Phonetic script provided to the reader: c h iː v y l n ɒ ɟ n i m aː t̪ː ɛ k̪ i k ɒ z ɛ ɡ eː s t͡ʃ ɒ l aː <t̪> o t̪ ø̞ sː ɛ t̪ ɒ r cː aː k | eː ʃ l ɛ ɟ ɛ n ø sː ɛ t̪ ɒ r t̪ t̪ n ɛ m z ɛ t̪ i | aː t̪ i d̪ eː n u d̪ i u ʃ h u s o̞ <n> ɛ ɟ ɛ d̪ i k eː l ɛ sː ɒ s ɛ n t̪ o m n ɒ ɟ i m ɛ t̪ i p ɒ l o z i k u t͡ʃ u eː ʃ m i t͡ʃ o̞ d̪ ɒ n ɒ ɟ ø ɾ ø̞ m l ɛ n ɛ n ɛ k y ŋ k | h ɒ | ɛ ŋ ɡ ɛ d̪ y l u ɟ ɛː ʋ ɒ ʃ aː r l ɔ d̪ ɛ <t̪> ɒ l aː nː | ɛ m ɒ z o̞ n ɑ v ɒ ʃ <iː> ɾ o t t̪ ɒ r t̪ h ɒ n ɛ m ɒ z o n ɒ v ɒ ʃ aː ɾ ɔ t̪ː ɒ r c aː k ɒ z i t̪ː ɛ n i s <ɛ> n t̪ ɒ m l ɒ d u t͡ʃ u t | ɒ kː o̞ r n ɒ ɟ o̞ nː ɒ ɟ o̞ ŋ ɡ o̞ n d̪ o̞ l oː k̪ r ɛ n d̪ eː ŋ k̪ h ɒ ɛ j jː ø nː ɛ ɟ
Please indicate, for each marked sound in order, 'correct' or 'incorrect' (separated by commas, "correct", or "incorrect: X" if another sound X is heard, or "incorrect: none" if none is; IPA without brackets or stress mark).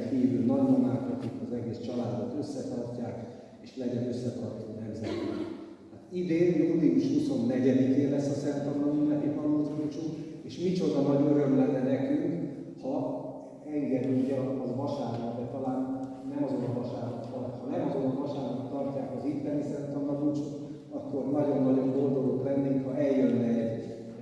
incorrect: d̪, incorrect: nː, correct, incorrect: aː, correct